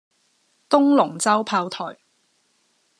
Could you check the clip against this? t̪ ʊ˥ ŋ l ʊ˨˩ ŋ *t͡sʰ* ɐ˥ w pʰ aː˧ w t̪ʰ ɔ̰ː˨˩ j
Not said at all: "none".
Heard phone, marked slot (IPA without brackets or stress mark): t͡s